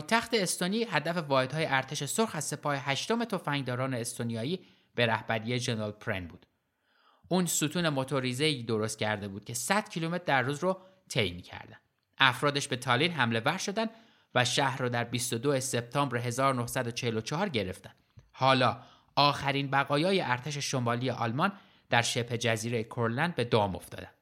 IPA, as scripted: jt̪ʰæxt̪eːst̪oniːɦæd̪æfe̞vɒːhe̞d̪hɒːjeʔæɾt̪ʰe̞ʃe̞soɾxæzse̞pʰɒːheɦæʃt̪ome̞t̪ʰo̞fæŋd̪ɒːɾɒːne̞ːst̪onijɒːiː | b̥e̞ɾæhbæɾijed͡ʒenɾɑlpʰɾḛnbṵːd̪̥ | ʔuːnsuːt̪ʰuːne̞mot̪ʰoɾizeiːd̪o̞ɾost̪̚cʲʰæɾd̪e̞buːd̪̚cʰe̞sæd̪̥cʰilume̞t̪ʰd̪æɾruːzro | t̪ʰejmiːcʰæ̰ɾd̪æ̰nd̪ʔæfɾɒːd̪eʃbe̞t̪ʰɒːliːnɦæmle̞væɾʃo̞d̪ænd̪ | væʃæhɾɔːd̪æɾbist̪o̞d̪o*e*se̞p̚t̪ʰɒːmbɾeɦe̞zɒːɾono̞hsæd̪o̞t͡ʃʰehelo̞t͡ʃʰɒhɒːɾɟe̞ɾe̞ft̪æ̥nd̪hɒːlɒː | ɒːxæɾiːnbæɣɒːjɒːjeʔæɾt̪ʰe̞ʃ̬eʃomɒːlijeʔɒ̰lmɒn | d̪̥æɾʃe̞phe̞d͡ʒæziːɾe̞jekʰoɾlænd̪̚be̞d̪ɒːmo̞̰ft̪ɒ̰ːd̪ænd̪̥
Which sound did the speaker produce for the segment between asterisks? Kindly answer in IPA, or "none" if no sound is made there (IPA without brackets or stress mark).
e